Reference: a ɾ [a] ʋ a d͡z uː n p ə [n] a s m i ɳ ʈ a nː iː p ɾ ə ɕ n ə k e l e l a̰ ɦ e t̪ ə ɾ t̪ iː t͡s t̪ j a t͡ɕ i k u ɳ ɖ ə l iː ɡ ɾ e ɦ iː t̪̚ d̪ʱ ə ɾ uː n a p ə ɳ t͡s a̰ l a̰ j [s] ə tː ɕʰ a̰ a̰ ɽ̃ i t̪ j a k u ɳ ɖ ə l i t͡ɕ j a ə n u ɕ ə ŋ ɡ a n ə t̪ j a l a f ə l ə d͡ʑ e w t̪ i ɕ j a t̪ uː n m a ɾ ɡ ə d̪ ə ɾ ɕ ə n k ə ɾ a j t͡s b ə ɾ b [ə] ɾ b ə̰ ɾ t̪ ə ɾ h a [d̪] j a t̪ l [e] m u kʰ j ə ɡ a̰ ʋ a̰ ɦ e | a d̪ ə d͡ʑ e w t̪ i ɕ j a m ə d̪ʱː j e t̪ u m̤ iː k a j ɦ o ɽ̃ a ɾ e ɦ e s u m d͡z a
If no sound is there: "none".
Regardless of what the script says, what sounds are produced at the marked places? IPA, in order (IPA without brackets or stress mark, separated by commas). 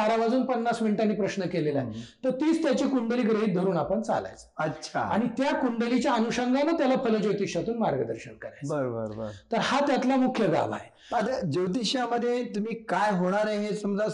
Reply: a, nː, t͡s, ə, t̪, a